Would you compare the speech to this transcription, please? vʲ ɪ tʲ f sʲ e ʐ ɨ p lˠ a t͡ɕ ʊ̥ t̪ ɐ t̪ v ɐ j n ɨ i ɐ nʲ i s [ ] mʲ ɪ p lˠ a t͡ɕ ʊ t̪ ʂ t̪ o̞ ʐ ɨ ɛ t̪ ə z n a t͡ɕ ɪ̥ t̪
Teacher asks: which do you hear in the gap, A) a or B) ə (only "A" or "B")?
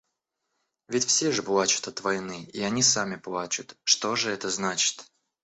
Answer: A